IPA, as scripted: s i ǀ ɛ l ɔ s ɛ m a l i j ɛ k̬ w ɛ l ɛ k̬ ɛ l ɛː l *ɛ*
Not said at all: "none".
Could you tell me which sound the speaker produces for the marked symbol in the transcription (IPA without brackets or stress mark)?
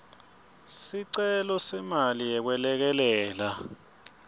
a